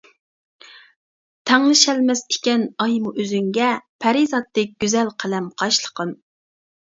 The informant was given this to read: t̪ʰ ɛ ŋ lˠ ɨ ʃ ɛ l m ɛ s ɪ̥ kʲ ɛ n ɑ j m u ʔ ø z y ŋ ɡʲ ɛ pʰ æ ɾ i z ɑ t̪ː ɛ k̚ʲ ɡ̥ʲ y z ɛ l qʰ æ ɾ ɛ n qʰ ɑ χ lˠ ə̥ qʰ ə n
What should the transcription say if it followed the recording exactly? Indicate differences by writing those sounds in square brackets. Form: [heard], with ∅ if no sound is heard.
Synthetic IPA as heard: t̪ʰ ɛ ŋ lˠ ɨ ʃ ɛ l m ɛ s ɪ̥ kʲ ɛ n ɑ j m u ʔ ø z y ŋ ɡʲ ɛ pʰ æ ɾ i z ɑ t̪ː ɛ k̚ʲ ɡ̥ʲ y z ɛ l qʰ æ [l] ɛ [m] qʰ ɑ [ʃ] lˠ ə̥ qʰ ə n